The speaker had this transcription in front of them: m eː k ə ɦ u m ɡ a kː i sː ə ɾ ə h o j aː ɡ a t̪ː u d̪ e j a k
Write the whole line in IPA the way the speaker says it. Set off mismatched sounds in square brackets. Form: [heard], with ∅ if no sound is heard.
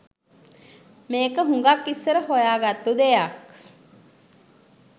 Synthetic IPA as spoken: m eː k ə ɦ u [ŋ] ɡ a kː i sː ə ɾ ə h o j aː ɡ a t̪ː u d̪ e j a k